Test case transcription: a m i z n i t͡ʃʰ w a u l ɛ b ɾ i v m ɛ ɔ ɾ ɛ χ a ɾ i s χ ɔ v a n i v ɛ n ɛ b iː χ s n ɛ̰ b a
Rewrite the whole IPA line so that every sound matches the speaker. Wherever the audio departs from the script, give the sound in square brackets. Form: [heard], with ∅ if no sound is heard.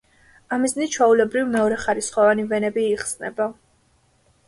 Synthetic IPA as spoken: a m i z n i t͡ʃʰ w a u l ɛ b ɾ i v m ɛ ɔ ɾ ɛ χ a ɾ i s χ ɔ v a n i v ɛ n ɛ b iː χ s n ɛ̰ b a